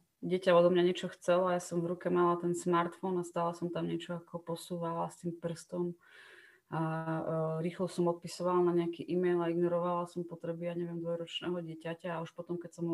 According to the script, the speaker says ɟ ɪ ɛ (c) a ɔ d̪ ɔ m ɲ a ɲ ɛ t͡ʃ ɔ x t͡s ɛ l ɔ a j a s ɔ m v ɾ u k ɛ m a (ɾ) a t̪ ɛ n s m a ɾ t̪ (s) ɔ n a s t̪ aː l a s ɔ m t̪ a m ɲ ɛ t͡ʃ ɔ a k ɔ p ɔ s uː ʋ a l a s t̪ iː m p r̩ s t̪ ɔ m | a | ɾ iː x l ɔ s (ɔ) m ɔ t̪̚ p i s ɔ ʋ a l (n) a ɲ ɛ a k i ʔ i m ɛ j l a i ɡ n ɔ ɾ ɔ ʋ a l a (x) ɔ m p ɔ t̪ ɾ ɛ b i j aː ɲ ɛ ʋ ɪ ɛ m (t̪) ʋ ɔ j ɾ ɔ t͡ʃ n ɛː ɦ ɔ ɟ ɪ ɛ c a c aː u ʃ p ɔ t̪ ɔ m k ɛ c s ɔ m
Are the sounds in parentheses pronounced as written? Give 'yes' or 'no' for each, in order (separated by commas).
yes, no, no, yes, yes, no, no